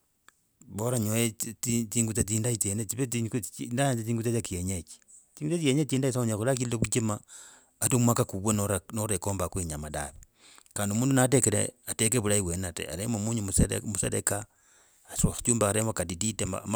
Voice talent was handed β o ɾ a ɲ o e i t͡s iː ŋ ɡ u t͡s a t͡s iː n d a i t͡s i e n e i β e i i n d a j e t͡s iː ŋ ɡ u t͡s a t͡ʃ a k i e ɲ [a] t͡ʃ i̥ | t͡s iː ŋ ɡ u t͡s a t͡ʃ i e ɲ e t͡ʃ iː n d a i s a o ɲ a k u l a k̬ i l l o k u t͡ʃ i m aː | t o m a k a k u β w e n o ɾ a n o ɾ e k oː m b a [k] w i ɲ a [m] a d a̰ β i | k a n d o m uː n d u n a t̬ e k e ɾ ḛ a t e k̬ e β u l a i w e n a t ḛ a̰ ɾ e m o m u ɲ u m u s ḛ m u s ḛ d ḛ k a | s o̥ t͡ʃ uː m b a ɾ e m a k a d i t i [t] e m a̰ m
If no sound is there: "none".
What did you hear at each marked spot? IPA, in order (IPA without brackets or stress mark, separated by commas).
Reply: e, k, m, t